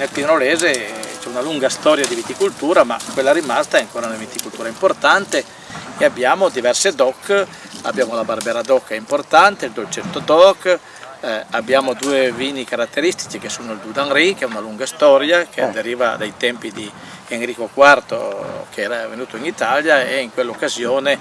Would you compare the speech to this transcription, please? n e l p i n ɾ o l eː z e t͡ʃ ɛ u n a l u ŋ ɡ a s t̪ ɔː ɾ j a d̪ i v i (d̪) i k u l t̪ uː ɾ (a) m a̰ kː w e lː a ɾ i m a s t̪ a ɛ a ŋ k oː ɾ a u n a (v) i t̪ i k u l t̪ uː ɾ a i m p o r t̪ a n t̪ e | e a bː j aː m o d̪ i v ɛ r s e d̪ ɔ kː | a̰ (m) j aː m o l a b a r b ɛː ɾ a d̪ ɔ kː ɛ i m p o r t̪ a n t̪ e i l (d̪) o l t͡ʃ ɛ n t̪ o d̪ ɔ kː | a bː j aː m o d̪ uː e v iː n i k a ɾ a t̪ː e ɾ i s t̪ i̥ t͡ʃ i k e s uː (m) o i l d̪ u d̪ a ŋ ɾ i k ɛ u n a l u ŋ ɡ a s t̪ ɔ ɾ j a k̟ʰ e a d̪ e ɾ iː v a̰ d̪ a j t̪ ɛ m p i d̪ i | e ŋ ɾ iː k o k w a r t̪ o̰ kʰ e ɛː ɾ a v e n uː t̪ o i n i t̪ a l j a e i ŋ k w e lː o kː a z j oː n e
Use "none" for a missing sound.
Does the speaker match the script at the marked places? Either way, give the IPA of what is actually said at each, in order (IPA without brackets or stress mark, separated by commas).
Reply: t̪, a, v, b, d̪, n